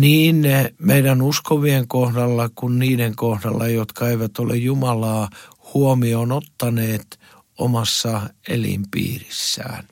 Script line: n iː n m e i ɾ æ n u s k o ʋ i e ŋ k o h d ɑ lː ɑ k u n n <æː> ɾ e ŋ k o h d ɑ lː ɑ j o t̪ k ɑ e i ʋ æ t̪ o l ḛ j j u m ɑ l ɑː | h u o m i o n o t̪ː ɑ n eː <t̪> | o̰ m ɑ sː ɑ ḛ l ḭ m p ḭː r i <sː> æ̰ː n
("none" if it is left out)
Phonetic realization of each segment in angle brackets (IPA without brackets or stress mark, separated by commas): iː, t̪, sː